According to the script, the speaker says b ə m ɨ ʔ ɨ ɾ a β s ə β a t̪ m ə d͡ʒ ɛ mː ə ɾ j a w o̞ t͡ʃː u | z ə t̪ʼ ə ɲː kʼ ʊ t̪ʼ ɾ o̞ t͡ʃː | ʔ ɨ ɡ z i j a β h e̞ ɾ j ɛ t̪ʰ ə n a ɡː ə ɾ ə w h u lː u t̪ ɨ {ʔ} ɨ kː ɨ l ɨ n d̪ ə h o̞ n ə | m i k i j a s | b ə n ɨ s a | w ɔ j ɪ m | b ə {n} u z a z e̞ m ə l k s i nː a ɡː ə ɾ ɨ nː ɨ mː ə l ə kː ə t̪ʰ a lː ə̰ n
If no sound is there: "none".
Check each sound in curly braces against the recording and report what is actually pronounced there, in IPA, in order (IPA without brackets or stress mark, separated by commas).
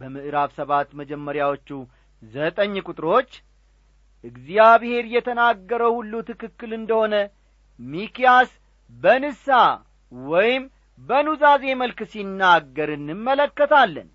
k, n